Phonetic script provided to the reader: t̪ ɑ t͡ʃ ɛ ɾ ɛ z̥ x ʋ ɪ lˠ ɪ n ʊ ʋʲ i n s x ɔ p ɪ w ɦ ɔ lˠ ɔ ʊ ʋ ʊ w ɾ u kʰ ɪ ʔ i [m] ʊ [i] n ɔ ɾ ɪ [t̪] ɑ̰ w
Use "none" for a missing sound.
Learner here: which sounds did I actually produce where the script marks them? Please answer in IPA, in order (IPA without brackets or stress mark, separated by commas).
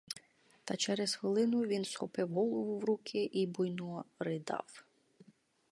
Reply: b, j, d̪